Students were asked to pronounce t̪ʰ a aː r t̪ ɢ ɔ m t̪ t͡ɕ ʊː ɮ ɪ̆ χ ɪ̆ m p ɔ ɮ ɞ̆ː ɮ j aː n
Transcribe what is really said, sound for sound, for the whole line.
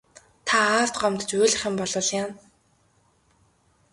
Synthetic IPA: t̪ʰ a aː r t̪ ɢ ɔ m t̪ t͡ɕ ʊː ɮ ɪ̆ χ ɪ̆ m p ɔ ɮ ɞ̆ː ɮ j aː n